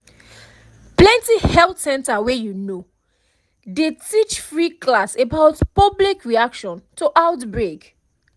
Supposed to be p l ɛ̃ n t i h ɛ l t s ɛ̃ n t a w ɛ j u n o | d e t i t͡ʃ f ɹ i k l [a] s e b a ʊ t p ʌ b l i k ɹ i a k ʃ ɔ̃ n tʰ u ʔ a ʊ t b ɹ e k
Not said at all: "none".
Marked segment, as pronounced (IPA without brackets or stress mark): a